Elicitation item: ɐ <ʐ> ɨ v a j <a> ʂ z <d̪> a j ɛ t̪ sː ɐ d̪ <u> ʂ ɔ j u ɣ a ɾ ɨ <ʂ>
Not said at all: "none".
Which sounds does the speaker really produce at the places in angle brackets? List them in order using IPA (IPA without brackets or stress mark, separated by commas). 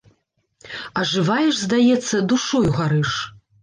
ʐ, ɛ, d̪, u, ʂ